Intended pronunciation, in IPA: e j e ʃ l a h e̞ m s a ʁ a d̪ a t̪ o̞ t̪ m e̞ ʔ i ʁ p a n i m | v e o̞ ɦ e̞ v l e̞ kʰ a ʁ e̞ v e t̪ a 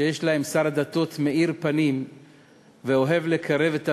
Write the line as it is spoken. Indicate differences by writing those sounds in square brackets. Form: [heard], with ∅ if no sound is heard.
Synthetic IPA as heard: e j e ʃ l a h e̞ m s a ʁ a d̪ a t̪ o̞ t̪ m e̞ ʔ i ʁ p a n i m | v e o̞ ɦ e̞ v l e̞ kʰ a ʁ e̞ v e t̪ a